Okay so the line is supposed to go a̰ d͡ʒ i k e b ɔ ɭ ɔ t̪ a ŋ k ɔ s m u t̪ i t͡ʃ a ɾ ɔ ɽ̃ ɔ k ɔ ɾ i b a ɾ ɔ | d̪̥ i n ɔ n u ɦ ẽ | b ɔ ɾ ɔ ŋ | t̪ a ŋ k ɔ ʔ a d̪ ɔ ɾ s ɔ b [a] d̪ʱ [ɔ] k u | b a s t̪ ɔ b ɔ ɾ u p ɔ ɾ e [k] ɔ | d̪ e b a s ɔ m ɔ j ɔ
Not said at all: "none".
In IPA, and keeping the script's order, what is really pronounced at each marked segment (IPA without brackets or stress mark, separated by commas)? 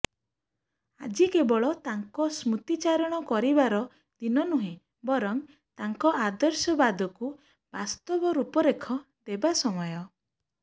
a, ɔ, kʰ